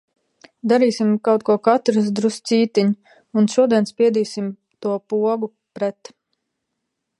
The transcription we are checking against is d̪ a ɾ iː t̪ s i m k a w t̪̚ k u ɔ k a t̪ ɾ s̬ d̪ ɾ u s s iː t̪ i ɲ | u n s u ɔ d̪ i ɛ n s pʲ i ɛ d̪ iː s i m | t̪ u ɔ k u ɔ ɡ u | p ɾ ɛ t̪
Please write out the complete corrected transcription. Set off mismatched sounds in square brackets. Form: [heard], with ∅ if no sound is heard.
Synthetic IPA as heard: d̪ a ɾ iː [∅] s i m k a w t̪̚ k u ɔ k a t̪ ɾ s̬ d̪ ɾ u s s iː t̪ i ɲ | u n [ʃ] u ɔ d̪ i ɛ n s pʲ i ɛ d̪ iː s i m | t̪ u ɔ [p] u ɔ ɡ u | p ɾ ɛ t̪

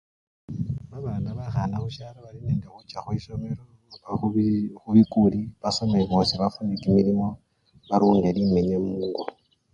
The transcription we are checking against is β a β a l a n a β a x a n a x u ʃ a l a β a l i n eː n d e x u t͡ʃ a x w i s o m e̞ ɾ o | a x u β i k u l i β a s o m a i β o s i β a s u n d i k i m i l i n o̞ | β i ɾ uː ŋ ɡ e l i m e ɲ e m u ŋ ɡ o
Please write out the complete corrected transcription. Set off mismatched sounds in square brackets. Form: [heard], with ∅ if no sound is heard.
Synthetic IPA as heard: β a β a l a n a β a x a n a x u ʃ a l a β a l i n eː n d e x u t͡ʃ a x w i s o m e̞ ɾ o | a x u β i k u l i β a s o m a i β o s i β a [f] u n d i k i m i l i [m] o̞ | β [a] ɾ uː ŋ ɡ e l i m e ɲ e m u ŋ ɡ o

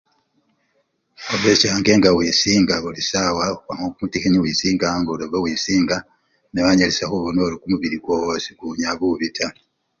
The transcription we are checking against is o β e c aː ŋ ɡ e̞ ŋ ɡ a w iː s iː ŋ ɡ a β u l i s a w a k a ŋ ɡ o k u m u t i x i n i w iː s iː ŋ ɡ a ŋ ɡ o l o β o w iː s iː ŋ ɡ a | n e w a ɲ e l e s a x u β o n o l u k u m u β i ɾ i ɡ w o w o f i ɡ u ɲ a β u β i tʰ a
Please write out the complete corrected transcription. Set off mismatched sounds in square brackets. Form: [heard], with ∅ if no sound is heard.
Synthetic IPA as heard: o β e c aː ŋ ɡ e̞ ŋ ɡ a w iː s iː ŋ ɡ a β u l i s a w a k a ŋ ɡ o k u m u t i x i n i w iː s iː ŋ ɡ a ŋ ɡ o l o β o w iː s iː ŋ ɡ a | n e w a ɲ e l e s a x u β o n o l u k u m u β i ɾ i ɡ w o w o [s] i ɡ u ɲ a β u β i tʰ a

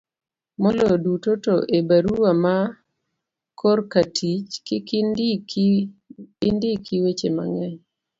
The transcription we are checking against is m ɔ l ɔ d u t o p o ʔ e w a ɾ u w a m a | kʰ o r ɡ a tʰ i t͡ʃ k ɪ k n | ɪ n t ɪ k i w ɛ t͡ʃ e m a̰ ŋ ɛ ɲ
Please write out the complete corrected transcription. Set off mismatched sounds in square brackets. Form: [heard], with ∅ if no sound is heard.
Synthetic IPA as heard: m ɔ l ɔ d u t o [t] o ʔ e [b] a ɾ u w a m a | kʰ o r [k] a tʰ i t͡ʃ k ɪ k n | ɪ n [d] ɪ k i w [e] t͡ʃ e m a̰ ŋ ɛ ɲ

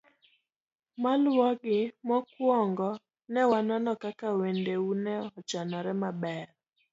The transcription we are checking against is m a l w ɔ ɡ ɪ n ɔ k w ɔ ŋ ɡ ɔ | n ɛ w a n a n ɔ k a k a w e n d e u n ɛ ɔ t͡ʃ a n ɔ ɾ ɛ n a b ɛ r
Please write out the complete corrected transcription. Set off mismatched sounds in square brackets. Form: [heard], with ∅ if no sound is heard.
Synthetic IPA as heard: m a l w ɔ ɡ ɪ [m] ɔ k w ɔ ŋ ɡ ɔ | n ɛ w a n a n ɔ k a k a w e n d e u n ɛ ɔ t͡ʃ a n ɔ ɾ ɛ [m] a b ɛ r

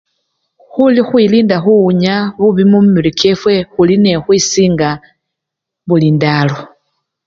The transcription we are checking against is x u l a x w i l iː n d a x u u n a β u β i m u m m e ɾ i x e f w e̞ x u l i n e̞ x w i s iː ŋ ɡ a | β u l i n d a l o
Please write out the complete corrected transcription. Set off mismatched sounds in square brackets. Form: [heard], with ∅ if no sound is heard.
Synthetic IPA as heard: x u l [i] x w i l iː n d a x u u [ɲ] a β u β i m u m m [i] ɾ i [k] e f w e̞ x u l i n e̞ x w i s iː ŋ ɡ a | β u l i n d a l o

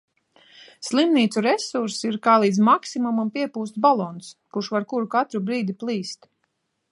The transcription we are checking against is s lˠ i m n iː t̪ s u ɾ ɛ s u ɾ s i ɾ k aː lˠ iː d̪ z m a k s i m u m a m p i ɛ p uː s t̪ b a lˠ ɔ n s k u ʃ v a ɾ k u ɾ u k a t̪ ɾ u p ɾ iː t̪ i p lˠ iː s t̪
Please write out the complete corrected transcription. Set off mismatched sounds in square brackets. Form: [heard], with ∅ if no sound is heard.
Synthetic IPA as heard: s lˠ i m n iː t̪ s u ɾ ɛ s u ɾ s i ɾ k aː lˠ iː d̪ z m a k s i m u m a m p i ɛ p uː s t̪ b a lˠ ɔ n s k u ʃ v a ɾ k u ɾ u k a t̪ ɾ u [b] ɾ iː [d̪] i p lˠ iː s t̪

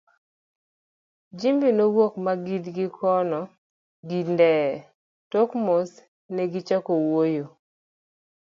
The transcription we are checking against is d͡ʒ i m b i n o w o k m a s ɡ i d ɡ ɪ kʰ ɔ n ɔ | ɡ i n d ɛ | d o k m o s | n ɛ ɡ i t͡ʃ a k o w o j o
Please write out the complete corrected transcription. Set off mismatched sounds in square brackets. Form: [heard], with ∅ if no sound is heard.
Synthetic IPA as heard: d͡ʒ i m b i n o w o k m a [∅] ɡ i d ɡ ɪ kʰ ɔ n ɔ | ɡ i n d ɛ | [t] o k m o s | n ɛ ɡ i t͡ʃ a k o w o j o

